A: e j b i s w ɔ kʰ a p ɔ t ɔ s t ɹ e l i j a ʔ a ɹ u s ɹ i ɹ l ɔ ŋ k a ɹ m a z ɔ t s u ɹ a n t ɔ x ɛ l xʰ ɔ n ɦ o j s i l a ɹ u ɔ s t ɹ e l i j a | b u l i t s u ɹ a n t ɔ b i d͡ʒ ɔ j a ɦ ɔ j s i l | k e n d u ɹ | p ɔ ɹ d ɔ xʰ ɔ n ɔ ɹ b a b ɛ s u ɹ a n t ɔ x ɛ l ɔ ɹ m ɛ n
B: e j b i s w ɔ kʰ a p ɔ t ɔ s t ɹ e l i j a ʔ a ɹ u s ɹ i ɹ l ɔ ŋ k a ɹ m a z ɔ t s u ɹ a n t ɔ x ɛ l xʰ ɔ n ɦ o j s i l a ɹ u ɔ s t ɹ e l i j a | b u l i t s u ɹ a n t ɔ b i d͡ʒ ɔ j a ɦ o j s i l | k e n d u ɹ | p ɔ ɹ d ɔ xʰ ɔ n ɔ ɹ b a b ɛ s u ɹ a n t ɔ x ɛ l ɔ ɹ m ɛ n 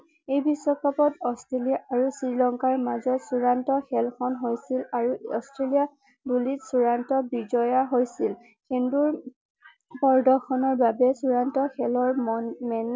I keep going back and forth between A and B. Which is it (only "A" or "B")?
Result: B